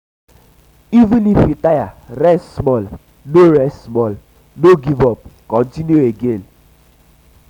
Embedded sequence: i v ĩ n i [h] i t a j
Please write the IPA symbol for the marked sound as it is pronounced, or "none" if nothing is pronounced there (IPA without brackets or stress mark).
f